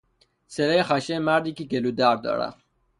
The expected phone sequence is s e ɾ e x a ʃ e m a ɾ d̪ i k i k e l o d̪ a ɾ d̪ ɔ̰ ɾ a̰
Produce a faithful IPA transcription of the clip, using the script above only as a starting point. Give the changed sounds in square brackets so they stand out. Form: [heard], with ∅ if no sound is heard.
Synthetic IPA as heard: s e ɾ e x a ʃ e m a ɾ d̪ i k i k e l [u] d̪ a ɾ d̪ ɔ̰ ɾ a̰